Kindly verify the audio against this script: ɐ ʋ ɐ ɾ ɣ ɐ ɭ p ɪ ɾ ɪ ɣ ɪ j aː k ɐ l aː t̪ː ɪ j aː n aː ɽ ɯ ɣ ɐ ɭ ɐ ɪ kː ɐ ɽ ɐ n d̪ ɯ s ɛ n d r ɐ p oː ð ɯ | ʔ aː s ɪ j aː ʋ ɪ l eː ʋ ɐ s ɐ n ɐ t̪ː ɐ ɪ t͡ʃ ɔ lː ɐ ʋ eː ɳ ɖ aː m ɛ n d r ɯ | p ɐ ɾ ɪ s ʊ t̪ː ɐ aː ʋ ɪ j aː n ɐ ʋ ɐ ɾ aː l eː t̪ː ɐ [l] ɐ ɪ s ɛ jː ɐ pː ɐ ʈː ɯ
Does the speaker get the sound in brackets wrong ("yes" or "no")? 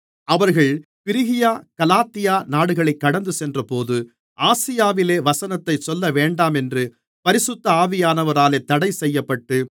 yes